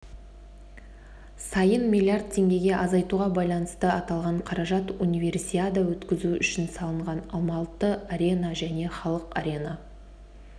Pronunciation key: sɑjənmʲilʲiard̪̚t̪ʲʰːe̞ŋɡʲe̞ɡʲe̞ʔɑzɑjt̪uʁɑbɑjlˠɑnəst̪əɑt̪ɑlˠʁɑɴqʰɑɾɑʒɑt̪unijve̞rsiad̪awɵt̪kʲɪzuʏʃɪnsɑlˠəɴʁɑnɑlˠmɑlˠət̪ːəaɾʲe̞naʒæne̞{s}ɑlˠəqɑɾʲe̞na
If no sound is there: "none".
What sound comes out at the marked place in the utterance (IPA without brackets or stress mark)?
χ